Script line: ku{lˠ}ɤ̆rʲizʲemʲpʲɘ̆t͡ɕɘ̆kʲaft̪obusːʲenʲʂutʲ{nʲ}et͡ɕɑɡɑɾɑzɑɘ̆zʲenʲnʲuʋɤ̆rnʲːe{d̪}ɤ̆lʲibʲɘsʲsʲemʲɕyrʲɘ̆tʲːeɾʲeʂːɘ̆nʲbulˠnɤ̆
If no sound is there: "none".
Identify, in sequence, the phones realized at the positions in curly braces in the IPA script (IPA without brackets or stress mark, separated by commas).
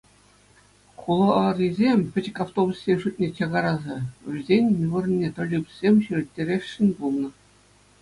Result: lˠ, nʲ, t̪